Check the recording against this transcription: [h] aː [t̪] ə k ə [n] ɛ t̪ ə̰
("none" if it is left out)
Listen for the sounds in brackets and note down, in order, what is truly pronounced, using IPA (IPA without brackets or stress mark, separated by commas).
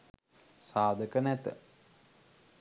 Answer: s, d̪, n